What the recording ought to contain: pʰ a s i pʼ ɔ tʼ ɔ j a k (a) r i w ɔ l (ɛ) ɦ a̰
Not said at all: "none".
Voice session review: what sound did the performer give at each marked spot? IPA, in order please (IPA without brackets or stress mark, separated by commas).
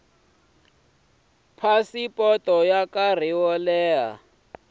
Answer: a, ɛː